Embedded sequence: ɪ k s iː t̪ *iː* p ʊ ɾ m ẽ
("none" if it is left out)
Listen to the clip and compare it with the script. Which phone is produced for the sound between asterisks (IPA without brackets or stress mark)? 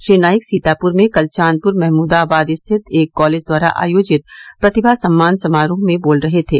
aː